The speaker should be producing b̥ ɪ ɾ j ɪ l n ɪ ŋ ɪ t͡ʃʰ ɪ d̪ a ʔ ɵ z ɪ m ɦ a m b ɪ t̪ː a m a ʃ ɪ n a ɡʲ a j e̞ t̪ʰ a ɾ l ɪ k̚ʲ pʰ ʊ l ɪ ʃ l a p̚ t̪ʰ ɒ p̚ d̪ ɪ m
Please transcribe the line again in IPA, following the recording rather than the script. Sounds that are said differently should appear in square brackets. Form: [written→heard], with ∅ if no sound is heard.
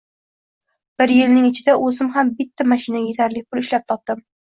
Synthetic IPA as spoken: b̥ ɪ ɾ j ɪ l n ɪ ŋ ɪ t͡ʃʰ ɪ d̪ a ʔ ɵ z ɪ m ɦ a m b ɪ t̪ː a m a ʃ ɪ n a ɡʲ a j e̞ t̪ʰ a ɾ l ɪ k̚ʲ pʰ ʊ l ɪ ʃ l a p̚ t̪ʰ ɒ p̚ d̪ ɪ m